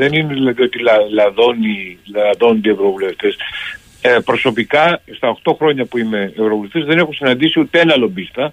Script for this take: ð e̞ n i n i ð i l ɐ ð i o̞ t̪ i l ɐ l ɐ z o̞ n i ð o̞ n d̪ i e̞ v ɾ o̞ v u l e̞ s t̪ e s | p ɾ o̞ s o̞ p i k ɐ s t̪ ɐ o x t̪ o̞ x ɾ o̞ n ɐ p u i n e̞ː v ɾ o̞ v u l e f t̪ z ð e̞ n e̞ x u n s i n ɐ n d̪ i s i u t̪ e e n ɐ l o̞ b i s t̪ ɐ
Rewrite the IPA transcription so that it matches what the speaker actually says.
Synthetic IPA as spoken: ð e̞ n i n e ð i l ɐ ð i o̞ t̪ i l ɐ l ɐ ð o̞ n i ð o̞ n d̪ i e̞ v ɾ o̞ v u l e̞ f t̪ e s | p ɾ o̞ s o̞ p i k ɐ s t̪ ɐ o x t̪ o̞ x ɾ o̞ ɲ ɐ p u i m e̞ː v ɾ o̞ v u l e f t̪ z ð e̞ n e̞ x u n s i n ɐ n d̪ i s i u t̪ e e n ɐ l o̞ b i s t̪ ɐ